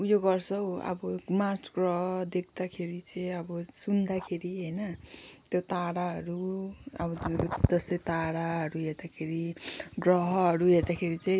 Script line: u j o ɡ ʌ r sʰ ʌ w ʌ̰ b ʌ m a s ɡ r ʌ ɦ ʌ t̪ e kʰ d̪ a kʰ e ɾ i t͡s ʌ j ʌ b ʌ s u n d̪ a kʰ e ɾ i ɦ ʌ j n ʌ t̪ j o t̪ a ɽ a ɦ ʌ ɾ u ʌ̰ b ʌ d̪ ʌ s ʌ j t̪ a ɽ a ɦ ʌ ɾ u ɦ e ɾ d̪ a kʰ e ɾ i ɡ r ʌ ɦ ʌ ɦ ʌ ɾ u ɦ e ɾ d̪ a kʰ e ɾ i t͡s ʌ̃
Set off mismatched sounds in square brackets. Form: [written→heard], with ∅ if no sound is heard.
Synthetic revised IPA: u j o ɡ ʌ r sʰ ʌ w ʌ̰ b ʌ m a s ɡ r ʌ ɦ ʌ [t̪→d̪] e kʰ d̪ a kʰ e ɾ i t͡s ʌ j ʌ b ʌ s u n d̪ a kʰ e ɾ i ɦ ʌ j n ʌ t̪ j o t̪ a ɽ a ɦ ʌ ɾ u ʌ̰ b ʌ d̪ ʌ s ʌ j t̪ a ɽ a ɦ ʌ ɾ u ɦ e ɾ d̪ a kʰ e ɾ i ɡ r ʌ ɦ ʌ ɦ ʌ ɾ u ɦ e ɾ d̪ a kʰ e ɾ i t͡s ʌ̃